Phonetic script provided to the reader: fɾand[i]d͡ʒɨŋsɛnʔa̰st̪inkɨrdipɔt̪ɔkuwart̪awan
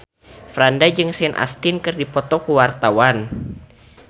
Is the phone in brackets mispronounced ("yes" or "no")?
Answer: yes